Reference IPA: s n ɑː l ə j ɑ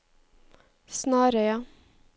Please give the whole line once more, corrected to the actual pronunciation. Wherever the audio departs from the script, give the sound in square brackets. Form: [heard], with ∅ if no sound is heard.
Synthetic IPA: s n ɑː [ɾ] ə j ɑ